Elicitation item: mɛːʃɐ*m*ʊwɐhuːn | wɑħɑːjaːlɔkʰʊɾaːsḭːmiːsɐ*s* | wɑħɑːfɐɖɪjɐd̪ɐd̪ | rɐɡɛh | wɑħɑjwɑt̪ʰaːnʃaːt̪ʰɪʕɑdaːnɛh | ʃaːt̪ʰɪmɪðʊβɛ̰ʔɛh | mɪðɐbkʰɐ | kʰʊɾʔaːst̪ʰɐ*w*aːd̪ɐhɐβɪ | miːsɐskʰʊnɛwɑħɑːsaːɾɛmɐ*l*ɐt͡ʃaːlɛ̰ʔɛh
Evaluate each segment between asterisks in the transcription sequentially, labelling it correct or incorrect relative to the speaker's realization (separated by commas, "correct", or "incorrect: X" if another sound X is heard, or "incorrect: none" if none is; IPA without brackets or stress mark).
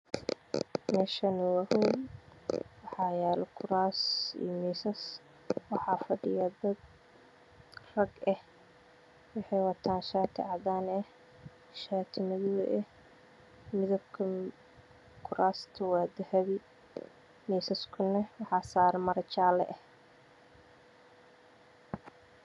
incorrect: n, correct, correct, incorrect: ɾ